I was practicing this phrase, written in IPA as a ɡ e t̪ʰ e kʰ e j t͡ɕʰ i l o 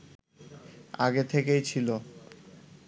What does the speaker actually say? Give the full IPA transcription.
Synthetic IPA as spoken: a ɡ e t̪ʰ e k e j t͡ɕʰ i l o